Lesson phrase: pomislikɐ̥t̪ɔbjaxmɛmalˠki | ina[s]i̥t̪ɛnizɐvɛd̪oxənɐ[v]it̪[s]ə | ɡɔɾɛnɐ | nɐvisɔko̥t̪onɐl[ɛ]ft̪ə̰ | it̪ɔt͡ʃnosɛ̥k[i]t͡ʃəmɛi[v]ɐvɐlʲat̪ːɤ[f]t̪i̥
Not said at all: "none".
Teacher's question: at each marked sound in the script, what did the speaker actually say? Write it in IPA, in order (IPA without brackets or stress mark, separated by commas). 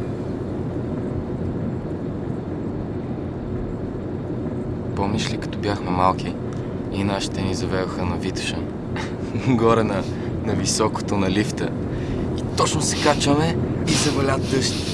ʃ, v, ʃ, i, a, z, ʃ